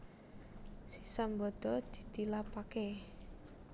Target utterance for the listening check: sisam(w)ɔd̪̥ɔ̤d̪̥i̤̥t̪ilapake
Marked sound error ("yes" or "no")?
yes